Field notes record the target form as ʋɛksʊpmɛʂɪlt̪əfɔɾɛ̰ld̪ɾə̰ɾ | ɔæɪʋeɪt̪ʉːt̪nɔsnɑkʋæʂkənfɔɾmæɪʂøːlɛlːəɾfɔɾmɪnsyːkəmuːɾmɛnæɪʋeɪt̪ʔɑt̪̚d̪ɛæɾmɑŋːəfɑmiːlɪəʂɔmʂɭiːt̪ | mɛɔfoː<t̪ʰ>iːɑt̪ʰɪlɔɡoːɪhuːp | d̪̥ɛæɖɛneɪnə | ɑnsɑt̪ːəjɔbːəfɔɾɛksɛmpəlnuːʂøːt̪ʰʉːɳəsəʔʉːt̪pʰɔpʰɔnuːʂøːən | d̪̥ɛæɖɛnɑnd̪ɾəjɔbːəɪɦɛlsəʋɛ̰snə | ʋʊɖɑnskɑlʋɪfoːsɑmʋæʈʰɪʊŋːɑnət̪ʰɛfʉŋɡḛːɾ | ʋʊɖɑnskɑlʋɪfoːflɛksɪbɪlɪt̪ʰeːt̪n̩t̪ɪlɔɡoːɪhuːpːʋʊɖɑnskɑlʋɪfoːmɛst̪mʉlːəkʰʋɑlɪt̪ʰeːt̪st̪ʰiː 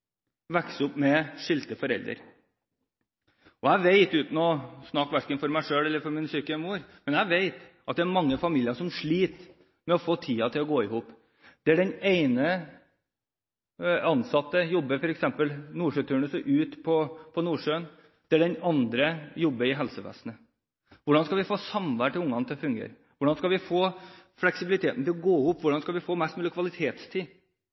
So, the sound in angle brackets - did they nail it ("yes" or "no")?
yes